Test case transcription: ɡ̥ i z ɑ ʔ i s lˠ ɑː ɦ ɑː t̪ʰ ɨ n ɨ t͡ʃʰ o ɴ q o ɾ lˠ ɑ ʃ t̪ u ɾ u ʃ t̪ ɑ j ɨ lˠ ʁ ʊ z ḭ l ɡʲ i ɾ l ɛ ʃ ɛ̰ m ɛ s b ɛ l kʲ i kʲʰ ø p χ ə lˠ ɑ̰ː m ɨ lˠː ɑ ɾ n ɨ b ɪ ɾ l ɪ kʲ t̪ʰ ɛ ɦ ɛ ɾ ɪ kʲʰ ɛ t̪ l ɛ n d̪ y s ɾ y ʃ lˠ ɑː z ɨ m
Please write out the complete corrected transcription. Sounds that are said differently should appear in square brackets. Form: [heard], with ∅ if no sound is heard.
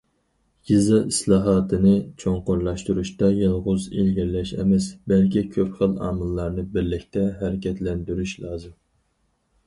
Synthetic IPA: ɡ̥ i z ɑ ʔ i s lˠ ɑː ɦ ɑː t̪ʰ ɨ n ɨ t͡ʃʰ o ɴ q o ɾ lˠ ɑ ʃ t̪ u ɾ u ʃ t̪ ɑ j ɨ lˠ ʁ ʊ z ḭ l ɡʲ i ɾ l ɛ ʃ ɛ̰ m ɛ s b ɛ l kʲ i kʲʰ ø p χ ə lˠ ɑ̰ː m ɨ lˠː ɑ ɾ n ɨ b ɪ ɾ l ɪ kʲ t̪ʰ ɛ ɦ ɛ ɾ ɪ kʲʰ ɛ t̪ l ɛ n d̪ y [∅] ɾ y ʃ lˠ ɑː z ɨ m